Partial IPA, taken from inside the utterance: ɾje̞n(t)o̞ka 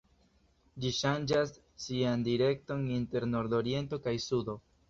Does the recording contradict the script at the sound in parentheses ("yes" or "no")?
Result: no